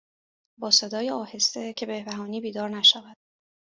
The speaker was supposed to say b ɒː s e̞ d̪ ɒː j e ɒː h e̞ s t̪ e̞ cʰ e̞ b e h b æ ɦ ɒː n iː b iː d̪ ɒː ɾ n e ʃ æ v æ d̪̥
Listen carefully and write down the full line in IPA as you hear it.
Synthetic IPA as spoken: b ɒː s e̞ d̪ ɒː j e ɒː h e̞ s t̪ e̞ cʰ e̞ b e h b æ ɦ ɒː n iː b iː d̪ ɒː ɾ n æ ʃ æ v æ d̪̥